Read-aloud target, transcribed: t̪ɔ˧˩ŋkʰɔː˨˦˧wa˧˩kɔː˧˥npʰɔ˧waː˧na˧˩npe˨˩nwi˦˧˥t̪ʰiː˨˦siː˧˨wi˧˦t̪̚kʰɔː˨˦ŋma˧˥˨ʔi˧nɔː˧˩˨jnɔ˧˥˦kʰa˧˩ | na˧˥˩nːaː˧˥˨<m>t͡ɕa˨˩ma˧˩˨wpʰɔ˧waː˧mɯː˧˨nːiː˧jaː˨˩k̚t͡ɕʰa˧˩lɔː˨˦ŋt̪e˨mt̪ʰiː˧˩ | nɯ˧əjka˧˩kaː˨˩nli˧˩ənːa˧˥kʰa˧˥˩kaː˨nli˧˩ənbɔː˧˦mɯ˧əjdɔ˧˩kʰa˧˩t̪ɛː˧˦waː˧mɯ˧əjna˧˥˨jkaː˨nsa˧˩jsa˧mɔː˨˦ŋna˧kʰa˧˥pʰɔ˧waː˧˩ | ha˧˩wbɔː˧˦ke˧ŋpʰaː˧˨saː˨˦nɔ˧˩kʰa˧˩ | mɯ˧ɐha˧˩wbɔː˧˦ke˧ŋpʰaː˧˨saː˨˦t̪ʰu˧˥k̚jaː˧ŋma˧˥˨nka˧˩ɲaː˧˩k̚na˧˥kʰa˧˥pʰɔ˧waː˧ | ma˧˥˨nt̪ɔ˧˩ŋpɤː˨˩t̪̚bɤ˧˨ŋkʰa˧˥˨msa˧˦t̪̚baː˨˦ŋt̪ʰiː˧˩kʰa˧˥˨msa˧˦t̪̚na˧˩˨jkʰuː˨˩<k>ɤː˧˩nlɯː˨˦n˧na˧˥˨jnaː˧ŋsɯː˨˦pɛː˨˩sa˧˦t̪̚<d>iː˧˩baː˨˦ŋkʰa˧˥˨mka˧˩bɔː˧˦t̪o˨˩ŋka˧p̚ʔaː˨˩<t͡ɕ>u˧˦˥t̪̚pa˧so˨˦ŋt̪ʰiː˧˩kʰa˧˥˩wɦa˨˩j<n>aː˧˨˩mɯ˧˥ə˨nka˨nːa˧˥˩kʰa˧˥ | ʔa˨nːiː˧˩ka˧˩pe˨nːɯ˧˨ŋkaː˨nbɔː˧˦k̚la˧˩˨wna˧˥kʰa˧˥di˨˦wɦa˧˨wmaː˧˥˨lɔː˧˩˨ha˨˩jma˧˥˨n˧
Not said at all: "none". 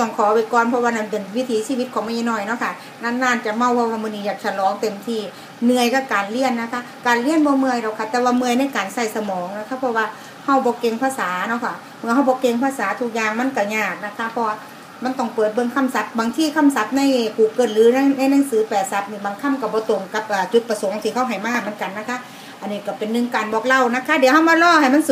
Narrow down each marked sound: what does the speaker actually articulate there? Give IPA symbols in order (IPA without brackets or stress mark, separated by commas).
n, k, n, t͡ɕ, m